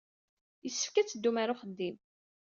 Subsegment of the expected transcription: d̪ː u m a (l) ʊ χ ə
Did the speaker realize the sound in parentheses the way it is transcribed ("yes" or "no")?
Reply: no